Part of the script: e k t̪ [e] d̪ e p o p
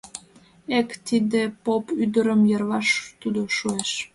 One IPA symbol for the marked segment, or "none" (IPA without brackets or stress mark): i